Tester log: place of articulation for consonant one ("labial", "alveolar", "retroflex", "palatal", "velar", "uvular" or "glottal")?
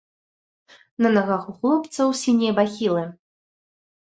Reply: alveolar